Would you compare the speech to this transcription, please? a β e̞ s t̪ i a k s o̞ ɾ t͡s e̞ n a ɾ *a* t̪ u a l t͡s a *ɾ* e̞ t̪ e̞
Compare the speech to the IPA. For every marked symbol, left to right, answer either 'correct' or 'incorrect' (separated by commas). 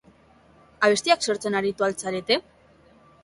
incorrect, correct